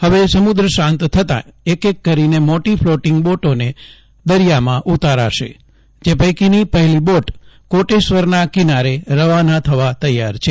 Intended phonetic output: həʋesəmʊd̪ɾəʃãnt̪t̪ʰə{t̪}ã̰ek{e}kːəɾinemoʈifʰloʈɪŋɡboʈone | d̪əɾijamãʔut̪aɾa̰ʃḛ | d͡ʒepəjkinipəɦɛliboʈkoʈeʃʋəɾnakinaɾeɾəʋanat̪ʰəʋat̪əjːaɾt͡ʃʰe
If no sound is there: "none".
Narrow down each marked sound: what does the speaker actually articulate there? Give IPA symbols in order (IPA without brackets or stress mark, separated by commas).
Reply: t̪, e